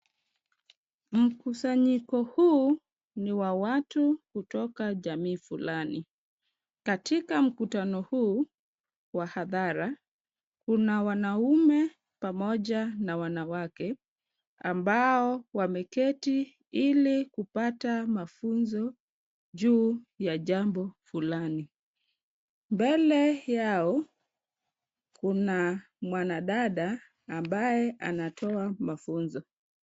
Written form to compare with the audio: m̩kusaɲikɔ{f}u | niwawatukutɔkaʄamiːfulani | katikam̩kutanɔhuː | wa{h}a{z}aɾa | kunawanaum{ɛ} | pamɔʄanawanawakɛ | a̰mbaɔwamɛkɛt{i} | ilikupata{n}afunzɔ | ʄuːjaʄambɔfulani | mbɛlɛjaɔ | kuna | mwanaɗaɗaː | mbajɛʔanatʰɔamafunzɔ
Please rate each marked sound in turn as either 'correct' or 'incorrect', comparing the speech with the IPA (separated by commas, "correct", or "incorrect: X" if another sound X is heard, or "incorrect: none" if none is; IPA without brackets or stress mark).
incorrect: h, correct, incorrect: ð, correct, correct, incorrect: m